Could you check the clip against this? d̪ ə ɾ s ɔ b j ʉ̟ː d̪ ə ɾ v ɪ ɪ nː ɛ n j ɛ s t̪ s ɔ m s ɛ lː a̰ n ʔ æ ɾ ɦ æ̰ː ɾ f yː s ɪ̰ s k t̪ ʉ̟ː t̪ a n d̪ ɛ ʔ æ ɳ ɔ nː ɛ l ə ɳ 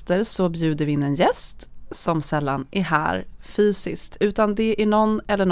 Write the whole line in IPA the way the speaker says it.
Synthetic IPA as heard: t̪ ə ɾ s ɔ b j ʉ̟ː d̪ ə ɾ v ɪ ɪ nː ɛ n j ɛ s t̪ s ɔ m s ɛ lː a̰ n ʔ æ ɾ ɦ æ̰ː ɾ f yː s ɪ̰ s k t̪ ʉ̟ː t̪ a n d̪ ɛ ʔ æ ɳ ɔ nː ɛ lː ə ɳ